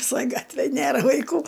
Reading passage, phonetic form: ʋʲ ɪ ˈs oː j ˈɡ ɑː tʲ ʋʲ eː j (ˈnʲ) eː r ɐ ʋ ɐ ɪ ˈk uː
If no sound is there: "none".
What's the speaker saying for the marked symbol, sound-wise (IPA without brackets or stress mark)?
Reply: nʲ